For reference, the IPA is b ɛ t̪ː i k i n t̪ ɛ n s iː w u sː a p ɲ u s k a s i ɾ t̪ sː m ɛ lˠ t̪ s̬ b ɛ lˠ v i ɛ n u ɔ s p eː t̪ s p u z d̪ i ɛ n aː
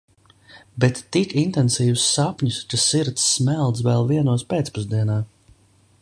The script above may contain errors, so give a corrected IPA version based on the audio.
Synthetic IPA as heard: b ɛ t̪ː i k i n t̪ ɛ n s iː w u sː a p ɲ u s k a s i ɾ t̪ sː m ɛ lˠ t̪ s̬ v ɛ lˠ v i ɛ n u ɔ s p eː t̪ s p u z d̪ i ɛ n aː